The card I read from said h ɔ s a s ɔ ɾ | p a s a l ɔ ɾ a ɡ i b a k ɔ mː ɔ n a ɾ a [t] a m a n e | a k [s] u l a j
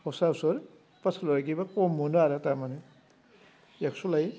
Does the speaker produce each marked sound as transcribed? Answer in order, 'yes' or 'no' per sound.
yes, yes

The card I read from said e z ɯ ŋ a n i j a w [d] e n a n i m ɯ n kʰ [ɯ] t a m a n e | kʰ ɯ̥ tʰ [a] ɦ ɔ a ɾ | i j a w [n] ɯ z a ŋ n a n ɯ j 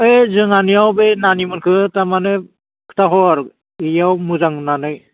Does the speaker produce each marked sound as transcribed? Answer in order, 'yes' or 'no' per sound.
no, yes, yes, no

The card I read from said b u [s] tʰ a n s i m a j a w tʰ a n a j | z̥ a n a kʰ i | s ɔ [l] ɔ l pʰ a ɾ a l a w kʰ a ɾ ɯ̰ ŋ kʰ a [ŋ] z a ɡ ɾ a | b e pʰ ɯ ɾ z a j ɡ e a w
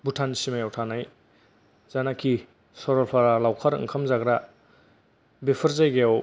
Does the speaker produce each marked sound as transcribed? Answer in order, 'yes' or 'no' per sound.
no, no, no

